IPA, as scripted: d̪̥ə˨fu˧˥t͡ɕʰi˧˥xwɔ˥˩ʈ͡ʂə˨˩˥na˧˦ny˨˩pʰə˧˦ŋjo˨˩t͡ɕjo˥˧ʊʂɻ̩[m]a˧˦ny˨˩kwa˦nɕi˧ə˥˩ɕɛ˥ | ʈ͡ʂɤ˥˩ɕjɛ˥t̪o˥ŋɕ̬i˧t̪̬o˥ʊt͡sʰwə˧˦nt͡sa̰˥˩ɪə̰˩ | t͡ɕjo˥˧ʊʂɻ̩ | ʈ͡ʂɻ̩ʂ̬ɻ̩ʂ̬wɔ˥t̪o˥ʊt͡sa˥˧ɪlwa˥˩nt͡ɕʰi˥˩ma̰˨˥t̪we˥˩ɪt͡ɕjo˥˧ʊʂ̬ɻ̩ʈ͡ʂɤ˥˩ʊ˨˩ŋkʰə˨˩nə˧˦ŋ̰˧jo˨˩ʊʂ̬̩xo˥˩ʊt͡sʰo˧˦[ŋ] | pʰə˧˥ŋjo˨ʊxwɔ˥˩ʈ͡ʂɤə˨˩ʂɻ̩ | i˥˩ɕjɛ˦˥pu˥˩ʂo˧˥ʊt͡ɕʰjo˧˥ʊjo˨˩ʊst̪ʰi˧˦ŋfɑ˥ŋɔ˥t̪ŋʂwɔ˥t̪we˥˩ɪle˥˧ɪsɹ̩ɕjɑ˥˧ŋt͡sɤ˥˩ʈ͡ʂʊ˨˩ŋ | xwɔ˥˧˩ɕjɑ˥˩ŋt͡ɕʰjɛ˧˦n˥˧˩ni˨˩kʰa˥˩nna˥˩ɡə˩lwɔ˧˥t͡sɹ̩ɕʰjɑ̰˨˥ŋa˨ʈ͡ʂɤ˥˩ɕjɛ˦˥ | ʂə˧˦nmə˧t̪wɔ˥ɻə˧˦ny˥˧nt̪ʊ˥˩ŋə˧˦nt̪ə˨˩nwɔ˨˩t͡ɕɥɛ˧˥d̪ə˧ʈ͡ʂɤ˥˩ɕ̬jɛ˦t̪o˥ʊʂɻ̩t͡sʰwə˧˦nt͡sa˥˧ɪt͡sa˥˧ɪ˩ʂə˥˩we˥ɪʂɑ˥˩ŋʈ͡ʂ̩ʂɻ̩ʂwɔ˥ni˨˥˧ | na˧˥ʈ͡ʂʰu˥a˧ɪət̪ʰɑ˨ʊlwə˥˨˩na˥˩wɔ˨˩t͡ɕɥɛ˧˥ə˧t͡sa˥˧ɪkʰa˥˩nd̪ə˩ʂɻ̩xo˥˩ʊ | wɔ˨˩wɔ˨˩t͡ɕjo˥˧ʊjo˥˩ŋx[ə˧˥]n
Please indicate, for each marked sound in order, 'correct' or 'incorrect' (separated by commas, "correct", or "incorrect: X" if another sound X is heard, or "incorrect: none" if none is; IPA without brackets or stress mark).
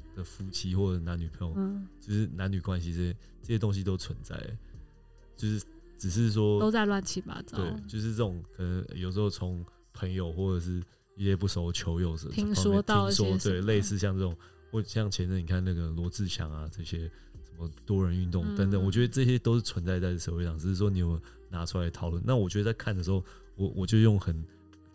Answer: incorrect: n, correct, incorrect: ə˨˩